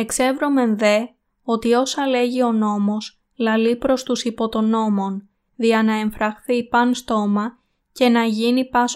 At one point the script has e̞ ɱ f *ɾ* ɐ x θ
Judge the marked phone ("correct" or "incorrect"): correct